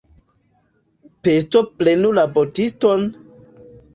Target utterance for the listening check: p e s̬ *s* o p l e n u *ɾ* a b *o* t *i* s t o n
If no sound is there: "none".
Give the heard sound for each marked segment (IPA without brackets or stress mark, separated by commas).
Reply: t, l, o, i